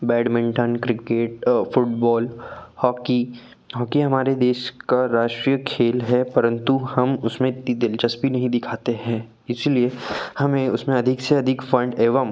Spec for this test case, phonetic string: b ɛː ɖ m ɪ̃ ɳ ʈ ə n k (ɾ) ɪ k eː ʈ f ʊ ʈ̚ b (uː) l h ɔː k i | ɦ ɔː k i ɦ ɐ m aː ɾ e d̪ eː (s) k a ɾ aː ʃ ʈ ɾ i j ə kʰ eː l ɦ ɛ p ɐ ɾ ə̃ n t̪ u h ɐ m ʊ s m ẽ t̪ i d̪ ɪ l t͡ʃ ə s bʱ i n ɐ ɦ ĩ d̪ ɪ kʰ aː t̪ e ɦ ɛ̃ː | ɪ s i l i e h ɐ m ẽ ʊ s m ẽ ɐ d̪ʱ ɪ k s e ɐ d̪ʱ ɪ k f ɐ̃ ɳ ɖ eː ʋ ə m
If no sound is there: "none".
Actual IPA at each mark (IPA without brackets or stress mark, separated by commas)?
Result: ɾ, ɔː, ʃ